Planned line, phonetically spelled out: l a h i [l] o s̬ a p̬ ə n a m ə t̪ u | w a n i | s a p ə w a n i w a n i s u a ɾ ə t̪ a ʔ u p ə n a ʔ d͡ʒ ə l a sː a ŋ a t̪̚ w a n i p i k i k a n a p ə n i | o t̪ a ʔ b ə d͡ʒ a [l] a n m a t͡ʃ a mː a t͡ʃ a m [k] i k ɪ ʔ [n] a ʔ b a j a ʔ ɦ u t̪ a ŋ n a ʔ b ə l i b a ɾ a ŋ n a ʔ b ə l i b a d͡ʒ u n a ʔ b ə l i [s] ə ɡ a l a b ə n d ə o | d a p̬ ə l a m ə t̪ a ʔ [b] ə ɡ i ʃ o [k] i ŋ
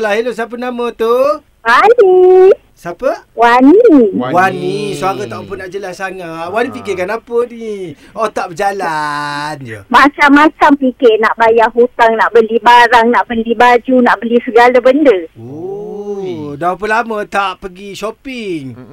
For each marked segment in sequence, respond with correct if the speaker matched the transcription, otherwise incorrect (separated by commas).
correct, correct, incorrect, correct, correct, incorrect, incorrect